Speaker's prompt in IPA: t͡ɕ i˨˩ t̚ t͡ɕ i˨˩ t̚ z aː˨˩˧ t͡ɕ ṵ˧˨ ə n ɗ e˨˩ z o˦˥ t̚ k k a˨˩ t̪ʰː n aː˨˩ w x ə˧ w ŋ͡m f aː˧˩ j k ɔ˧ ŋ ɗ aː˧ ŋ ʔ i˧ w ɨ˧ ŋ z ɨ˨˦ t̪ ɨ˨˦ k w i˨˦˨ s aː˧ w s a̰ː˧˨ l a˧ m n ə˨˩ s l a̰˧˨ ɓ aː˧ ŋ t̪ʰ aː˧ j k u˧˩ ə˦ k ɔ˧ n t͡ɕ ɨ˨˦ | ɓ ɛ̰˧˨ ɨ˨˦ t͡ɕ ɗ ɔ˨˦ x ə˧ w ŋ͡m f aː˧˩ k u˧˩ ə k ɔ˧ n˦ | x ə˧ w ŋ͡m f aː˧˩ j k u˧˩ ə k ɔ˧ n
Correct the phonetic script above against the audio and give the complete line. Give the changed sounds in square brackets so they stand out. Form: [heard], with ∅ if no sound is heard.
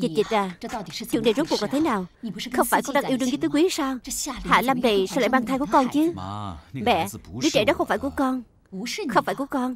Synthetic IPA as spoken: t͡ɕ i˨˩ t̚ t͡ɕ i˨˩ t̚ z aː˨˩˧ t͡ɕ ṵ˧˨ ə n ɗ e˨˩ z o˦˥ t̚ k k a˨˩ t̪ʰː n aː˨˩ w x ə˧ w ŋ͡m f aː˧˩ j k ɔ˧ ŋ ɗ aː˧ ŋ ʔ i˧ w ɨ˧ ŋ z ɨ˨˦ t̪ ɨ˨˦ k w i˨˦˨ s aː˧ w [h] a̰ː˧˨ l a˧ m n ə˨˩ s l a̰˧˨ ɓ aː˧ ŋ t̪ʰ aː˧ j k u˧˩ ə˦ k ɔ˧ n t͡ɕ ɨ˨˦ | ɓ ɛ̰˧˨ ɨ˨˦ t͡ɕ ɗ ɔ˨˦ x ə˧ w ŋ͡m f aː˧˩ k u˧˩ ə k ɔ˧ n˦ | x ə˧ w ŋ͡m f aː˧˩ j k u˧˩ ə k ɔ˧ n